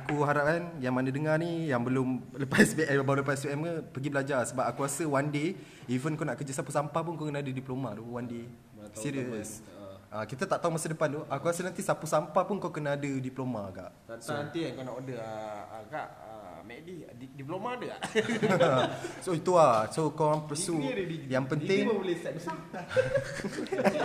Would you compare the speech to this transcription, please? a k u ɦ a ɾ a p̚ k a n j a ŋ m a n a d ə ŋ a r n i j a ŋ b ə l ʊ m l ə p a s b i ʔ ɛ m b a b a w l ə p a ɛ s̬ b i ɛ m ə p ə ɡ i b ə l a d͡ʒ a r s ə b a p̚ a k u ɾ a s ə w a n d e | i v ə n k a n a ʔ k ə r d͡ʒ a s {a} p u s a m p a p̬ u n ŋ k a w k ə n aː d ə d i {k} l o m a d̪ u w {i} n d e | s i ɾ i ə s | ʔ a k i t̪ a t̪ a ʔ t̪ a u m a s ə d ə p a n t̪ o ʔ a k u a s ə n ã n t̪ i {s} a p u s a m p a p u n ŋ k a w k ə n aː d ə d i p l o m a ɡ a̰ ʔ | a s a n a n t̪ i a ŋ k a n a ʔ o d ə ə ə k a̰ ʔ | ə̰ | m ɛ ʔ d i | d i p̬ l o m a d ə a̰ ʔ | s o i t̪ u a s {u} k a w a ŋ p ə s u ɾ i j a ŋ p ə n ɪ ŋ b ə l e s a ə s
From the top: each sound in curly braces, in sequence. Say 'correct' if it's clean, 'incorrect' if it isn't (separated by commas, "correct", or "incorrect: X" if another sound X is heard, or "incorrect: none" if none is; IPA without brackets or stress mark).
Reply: correct, incorrect: p, incorrect: a, correct, incorrect: o